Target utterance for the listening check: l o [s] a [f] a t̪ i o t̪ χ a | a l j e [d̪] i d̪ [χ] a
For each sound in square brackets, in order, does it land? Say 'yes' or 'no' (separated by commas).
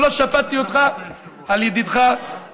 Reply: no, yes, yes, yes